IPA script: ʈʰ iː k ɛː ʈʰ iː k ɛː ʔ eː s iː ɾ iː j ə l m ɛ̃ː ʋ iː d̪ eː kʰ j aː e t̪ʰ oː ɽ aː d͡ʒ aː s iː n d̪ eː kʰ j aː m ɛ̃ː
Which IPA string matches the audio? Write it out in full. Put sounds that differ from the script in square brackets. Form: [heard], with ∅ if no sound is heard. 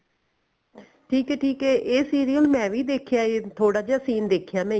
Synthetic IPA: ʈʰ iː k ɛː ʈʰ iː k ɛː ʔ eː s iː ɾ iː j ə l m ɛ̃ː ʋ iː d̪ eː kʰ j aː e t̪ʰ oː ɽ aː d͡ʒ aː s iː n d̪ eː kʰ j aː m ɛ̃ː